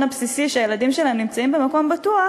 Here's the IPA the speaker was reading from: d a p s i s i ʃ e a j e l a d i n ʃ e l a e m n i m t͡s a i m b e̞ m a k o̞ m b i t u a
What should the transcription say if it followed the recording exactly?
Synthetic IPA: n a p s i s i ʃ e a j e l a d i m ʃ e l a e m n i m t͡s a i m b e̞ m a k o̞ m b a t u a